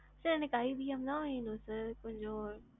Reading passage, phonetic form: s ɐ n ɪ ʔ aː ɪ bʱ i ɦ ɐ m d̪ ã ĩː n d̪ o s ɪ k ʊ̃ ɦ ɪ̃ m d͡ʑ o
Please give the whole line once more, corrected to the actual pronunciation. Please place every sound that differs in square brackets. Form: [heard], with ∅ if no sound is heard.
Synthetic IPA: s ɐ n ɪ [k] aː [i] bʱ i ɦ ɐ m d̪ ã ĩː n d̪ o s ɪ k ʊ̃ ɦ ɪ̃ [ɲ] d͡ʑ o